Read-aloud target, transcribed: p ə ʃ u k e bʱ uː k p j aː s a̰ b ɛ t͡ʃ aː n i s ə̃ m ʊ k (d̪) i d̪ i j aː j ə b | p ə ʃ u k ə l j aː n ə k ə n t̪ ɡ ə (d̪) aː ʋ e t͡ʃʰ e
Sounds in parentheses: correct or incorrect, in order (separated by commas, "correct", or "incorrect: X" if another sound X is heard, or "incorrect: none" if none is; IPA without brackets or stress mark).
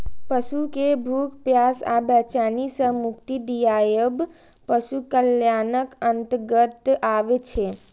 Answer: incorrect: t̪, incorrect: t̪